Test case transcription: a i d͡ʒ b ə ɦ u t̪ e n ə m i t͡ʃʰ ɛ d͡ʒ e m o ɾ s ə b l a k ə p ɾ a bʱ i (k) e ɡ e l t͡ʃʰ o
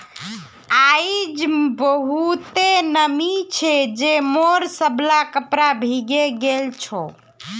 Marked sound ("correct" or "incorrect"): incorrect